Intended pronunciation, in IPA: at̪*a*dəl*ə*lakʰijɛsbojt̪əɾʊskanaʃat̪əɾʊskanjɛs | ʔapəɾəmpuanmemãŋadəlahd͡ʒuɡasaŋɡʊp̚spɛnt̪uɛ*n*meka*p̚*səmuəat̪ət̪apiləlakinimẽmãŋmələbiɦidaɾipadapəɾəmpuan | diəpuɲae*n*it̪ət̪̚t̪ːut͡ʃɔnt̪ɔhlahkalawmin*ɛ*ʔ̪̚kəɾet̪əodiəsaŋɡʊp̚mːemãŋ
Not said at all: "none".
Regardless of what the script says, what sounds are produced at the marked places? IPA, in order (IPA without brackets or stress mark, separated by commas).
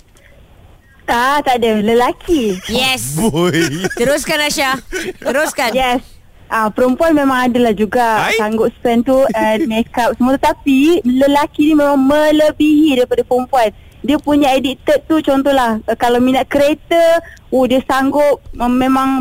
a, ə, n, p̚, d, a